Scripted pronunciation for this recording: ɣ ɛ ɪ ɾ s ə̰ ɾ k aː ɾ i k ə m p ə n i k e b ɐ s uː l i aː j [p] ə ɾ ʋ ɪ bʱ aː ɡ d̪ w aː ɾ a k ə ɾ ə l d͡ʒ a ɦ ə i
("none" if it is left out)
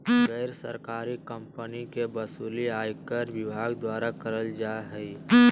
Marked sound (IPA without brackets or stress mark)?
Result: k